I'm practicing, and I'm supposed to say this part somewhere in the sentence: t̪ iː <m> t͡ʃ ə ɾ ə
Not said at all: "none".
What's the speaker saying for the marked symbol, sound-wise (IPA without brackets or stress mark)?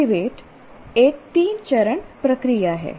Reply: n